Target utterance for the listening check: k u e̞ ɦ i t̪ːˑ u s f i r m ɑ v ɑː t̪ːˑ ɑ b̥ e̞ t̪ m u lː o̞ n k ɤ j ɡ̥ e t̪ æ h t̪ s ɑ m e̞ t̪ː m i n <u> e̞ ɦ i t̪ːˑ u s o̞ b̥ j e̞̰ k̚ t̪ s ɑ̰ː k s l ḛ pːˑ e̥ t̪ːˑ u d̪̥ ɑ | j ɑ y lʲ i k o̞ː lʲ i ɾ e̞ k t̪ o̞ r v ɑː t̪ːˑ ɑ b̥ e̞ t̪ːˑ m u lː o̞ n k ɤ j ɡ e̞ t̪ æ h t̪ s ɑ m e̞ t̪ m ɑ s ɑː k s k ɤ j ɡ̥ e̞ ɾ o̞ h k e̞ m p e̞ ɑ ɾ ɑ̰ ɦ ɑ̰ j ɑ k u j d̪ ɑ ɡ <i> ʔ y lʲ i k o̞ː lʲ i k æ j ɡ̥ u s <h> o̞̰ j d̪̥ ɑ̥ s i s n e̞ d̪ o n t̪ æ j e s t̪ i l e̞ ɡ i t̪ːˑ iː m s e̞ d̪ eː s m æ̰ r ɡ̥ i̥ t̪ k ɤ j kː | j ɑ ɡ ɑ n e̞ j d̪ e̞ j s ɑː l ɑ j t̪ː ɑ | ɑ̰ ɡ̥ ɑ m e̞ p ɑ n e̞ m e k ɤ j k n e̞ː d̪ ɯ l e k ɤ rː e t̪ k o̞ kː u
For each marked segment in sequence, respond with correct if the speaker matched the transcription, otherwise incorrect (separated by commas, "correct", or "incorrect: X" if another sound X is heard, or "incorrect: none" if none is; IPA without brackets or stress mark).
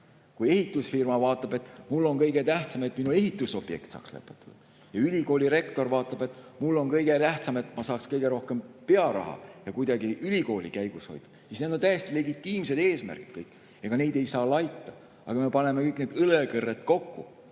correct, correct, correct